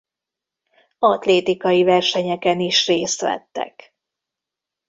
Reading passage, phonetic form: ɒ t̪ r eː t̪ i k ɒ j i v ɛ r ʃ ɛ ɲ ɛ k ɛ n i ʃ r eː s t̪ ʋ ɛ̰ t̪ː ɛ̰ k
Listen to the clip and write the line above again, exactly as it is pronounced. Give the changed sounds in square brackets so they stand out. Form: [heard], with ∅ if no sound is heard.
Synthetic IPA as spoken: ɒ t̪ [l] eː t̪ i k ɒ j i v ɛ r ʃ ɛ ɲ ɛ k ɛ n i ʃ r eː s t̪ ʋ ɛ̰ t̪ː ɛ̰ k